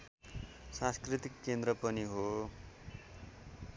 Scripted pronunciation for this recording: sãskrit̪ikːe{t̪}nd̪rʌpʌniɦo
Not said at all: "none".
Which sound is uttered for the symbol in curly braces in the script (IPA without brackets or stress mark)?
none